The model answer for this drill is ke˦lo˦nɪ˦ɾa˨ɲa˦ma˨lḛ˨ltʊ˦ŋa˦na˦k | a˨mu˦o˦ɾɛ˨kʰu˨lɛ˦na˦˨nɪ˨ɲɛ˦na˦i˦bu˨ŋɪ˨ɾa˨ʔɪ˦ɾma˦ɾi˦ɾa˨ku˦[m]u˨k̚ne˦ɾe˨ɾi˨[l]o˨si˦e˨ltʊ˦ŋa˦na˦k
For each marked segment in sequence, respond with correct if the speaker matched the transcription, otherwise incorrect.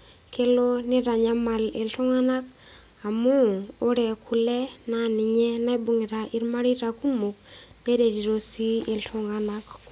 correct, incorrect

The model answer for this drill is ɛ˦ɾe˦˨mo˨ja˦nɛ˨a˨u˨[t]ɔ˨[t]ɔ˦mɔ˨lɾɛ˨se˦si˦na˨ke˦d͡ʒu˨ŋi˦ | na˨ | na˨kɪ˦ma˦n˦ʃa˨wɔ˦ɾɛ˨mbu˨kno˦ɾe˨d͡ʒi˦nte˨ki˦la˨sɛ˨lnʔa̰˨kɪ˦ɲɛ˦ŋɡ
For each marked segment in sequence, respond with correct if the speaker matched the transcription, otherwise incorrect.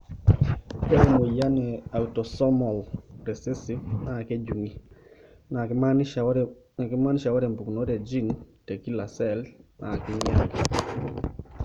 correct, incorrect

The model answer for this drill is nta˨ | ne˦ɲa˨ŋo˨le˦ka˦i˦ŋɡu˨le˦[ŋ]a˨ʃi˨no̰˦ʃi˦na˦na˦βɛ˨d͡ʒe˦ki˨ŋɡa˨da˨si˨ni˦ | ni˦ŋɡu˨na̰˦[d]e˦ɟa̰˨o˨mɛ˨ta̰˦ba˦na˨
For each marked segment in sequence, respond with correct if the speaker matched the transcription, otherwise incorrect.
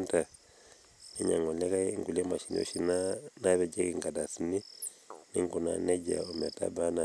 incorrect, incorrect

